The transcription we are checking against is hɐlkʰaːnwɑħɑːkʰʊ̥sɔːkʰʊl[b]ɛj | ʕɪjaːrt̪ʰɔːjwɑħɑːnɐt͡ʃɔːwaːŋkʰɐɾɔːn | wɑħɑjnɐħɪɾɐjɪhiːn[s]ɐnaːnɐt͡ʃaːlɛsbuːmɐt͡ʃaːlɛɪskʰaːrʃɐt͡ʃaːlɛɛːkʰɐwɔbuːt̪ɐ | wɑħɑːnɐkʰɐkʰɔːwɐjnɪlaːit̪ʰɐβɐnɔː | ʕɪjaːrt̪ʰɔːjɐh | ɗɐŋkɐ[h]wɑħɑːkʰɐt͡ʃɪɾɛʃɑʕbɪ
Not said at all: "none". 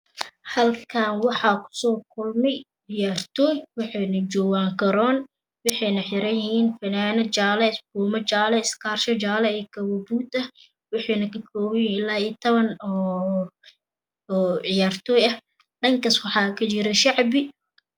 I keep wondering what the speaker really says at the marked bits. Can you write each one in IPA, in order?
m, f, s

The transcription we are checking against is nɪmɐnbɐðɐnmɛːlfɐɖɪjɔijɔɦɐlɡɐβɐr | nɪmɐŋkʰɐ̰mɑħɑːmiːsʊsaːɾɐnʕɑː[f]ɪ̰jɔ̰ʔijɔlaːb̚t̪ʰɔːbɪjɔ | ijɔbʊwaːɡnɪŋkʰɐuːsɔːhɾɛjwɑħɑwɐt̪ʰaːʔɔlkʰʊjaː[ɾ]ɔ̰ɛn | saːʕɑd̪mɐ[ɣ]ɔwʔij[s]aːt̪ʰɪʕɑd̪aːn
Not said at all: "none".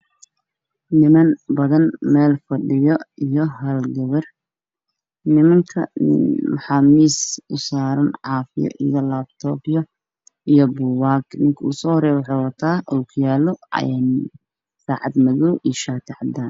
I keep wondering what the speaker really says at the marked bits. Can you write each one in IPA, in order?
f, l, ɣ, ʃ

